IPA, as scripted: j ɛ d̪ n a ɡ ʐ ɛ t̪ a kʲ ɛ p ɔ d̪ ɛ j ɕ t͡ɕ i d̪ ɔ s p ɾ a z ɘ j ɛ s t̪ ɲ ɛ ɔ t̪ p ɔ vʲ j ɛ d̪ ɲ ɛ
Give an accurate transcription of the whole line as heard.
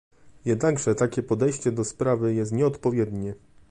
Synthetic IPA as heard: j ɛ d̪ n a ɡ ʐ ɛ t̪ a kʲ ɛ p ɔ d̪ ɛ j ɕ t͡ɕ ɛ d̪ ɔ s p ɾ a v ɘ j ɛ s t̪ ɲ ɛ ɔ t̪ p ɔ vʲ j ɛ d̪ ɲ ɛ